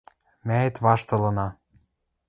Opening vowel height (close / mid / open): open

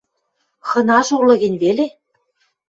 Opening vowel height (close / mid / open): mid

